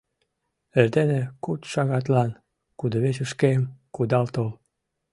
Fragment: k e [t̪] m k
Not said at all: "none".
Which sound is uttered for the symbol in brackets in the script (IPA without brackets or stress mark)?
none